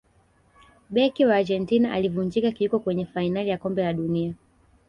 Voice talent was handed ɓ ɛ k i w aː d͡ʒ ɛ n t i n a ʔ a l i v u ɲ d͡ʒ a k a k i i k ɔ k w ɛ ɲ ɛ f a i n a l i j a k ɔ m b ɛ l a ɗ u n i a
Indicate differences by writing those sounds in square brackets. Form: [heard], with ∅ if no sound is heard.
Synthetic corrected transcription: ɓ ɛ k i w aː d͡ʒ ɛ n t i n a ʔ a l i v u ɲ d͡ʒ [i] k a k i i k ɔ k w ɛ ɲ ɛ f a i n a l i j a k ɔ m b ɛ l a ɗ u n i a